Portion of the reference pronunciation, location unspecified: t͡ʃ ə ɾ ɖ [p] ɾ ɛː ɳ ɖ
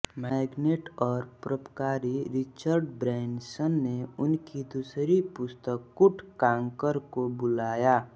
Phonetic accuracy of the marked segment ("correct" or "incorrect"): incorrect